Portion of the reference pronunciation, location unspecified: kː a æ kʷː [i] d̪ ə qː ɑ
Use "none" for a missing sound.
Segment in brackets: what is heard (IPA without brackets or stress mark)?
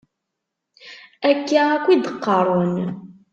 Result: i